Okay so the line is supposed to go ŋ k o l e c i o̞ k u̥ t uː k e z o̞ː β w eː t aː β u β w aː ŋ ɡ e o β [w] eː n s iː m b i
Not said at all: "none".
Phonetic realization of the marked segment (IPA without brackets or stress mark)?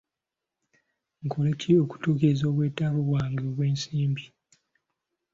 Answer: w